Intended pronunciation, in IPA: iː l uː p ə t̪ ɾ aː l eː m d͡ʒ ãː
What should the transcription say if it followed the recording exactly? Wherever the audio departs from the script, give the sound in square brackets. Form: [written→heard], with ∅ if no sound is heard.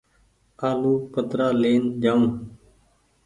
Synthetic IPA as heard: [iː→aː] l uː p ə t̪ ɾ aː l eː [m→n] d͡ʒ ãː